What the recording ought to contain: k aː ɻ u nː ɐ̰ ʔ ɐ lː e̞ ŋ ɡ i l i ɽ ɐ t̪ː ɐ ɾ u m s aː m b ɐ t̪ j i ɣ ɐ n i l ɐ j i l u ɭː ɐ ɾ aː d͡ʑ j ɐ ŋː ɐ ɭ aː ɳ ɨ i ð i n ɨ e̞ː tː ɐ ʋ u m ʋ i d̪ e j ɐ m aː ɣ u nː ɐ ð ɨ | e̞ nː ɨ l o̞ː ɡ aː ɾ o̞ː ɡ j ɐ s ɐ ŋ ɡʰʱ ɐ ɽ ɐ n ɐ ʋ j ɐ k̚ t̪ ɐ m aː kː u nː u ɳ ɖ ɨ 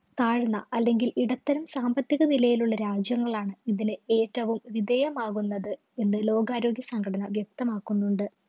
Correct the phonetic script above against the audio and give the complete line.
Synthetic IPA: k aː ɻ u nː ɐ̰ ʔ ɐ lː e̞ ŋ ɡ i l i ɽ ɐ t̪ː ɐ ɾ u m s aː m b ɐ t̪ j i ɣ ɐ n i l ɐ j i l u ɭː ɐ ɾ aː d͡ʑ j ɐ ŋː ɐ ɭ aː ɳ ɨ i ð i n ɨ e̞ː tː ɐ ʋ u m ʋ i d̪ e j ɐ m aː ɣ u nː ɐ ð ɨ | e̞ nː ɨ l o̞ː ɡ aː ɾ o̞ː ɡ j ɐ s ɐ ŋ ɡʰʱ ɐ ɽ ɐ n ɐ ʋ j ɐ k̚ t̪ ɐ m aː kː u nː u ɳ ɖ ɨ